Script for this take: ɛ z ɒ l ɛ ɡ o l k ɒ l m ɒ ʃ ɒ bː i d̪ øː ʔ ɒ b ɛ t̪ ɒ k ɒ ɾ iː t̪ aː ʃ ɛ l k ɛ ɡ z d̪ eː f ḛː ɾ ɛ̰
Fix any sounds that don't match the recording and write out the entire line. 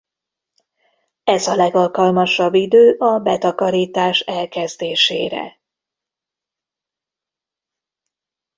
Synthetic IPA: ɛ z ɒ l ɛ ɡ ɒ l k ɒ l m ɒ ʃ ɒ bː i d̪ øː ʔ ɒ b ɛ t̪ ɒ k ɒ ɾ iː t̪ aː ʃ ɛ l k ɛ z d̪ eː ʃ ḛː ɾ ɛ̰